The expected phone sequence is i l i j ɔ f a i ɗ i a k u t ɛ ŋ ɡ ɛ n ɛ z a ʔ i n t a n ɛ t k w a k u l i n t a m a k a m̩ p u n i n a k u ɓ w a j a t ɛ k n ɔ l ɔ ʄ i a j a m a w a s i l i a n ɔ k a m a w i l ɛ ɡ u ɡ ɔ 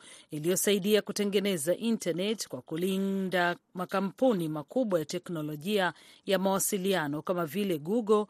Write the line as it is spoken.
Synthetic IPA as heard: i l i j ɔ s a i ɗ i a k u t ɛ ŋ ɡ ɛ n ɛ z a ʔ i n t a n ɛ t k w a k u l i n d a m a k a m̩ p u n i m a k u ɓ w a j a t ɛ k n ɔ l ɔ ʄ i a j a m a w a s i l i a n ɔ k a m a v i l ɛ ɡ u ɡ ɔ